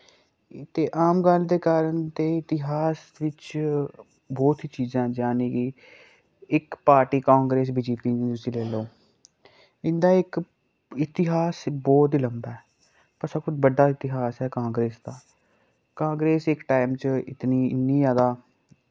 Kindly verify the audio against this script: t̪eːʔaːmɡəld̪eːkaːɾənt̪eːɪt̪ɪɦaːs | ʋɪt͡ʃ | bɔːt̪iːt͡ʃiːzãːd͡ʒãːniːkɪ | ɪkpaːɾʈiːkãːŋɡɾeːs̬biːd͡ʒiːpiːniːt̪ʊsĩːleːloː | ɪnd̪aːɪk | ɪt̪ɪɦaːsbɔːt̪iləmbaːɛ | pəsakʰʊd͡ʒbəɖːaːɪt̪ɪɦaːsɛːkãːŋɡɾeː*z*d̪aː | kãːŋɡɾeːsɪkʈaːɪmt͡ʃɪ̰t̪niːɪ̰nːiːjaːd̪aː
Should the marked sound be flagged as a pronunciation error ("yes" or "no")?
yes